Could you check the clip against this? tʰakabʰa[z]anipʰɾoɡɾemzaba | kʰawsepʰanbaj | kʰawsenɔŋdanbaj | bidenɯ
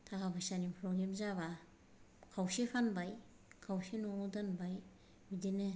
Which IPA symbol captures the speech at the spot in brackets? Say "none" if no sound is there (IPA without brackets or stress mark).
s